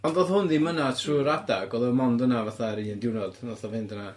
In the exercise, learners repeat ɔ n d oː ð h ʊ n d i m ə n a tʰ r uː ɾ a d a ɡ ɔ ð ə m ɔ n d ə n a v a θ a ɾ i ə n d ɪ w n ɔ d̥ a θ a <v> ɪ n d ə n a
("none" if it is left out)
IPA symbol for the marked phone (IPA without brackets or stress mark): v